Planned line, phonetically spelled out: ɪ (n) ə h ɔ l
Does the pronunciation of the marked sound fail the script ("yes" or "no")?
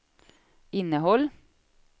no